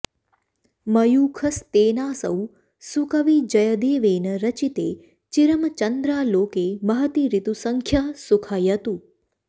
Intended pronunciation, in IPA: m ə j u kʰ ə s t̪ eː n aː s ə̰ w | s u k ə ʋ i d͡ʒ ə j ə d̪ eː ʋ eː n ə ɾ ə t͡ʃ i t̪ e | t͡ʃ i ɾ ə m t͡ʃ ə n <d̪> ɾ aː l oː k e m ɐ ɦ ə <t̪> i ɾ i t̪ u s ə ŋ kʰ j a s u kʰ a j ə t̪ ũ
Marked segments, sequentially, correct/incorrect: correct, correct

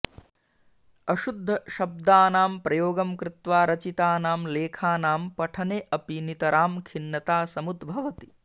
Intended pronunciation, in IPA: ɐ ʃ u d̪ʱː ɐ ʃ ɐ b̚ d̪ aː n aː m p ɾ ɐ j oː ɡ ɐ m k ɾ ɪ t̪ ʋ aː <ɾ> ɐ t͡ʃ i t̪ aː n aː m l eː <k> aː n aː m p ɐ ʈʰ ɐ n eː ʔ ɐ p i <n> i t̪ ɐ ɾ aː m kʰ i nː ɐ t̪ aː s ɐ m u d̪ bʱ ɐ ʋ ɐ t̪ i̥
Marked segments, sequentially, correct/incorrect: correct, incorrect: kʰ, correct

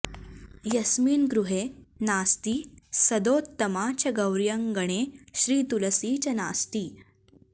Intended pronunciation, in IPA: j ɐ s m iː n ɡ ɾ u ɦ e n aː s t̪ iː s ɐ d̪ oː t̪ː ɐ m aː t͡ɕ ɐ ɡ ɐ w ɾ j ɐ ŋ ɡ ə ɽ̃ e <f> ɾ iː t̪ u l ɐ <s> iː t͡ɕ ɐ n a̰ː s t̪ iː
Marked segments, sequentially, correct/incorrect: incorrect: ɕ, correct

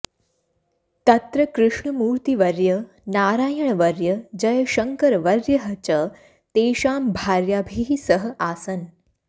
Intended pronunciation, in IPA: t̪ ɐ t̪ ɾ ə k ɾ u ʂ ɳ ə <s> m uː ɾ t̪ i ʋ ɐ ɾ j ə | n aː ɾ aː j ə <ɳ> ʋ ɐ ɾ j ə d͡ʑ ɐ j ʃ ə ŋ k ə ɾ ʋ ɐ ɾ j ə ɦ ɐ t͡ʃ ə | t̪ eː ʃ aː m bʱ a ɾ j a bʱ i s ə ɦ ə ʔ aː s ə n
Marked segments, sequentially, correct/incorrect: incorrect: none, correct

